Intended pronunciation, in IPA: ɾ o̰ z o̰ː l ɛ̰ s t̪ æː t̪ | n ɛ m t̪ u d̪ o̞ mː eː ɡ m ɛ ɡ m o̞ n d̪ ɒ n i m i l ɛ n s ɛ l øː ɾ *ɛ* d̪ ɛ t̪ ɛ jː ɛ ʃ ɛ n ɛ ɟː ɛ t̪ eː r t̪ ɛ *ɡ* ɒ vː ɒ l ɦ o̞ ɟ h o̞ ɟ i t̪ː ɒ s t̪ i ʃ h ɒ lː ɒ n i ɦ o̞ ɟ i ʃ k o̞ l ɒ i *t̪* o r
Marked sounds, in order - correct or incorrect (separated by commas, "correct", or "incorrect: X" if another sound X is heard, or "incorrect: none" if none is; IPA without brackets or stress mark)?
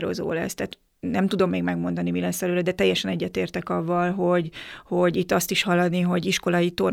correct, incorrect: k, correct